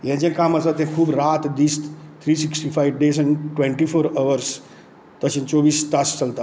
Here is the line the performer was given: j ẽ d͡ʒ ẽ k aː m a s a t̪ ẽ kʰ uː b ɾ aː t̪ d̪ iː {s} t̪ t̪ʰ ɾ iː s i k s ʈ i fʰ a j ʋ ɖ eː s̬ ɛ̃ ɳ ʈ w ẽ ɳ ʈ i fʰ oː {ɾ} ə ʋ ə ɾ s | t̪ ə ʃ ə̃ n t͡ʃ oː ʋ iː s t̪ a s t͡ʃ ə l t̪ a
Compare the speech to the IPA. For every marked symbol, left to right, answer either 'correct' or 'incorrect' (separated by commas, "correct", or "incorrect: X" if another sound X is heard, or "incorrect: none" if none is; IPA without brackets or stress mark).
correct, correct